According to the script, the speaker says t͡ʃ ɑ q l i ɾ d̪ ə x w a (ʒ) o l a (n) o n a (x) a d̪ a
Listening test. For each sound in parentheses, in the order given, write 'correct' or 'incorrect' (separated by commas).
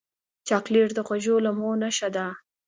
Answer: correct, incorrect, incorrect